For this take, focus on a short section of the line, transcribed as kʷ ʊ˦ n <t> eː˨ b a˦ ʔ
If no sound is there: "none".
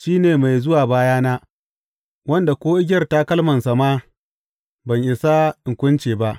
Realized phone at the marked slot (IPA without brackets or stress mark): t͡ʃ